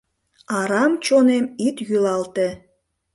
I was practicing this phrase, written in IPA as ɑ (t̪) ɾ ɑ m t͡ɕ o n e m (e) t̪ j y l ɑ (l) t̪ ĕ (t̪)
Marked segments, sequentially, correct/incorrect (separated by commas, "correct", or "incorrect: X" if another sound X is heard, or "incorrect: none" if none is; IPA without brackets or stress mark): incorrect: none, incorrect: i, correct, incorrect: none